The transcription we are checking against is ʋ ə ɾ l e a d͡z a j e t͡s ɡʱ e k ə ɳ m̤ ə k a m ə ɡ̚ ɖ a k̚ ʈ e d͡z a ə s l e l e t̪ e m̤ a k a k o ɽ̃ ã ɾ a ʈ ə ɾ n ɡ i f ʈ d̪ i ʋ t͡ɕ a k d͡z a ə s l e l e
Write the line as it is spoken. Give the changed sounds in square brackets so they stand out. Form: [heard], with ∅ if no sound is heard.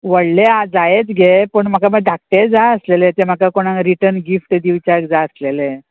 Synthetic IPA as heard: ʋ ə [ɽ] l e a d͡z a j e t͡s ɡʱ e [p] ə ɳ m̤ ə k a m ə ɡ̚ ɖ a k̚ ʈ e d͡z a ə s l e l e t̪ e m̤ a k a k o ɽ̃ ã ɾ [i] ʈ ə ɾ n ɡ i f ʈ d̪ i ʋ t͡ɕ a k d͡z a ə s l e l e